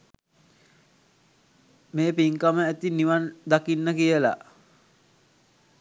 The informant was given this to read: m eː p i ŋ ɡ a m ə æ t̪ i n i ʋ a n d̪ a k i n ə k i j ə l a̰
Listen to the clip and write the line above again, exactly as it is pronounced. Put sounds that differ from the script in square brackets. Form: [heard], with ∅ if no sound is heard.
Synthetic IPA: m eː p i ŋ [k] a m ə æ t̪ i n i ʋ a n d̪ a k i [nː] ə k i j ə l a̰